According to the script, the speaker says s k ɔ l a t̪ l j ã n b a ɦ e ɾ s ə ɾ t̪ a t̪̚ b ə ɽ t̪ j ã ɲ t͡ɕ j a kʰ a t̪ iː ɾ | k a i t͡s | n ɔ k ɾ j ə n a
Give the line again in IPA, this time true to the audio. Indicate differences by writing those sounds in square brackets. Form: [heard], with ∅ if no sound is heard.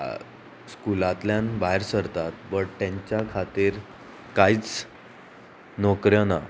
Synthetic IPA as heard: s k [u] l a t̪ l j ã n b a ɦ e ɾ s ə ɾ t̪ a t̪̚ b ə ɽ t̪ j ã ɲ t͡ɕ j a kʰ a t̪ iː ɾ | k a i t͡s | n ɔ k ɾ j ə n a